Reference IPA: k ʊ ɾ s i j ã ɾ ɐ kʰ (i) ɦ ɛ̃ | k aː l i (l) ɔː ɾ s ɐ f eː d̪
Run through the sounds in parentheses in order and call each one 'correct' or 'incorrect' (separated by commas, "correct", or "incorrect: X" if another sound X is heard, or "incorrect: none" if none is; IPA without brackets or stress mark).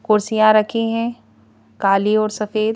correct, incorrect: none